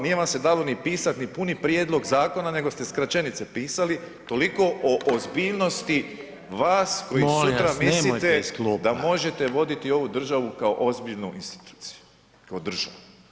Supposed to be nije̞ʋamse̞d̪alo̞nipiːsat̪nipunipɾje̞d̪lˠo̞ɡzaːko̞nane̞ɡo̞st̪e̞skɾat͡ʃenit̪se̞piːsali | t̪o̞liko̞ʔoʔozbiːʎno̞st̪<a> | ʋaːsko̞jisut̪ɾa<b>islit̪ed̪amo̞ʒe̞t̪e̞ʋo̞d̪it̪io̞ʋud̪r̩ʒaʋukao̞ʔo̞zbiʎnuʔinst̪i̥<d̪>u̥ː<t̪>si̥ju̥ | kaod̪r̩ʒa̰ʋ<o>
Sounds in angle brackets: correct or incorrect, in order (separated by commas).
incorrect, incorrect, incorrect, correct, incorrect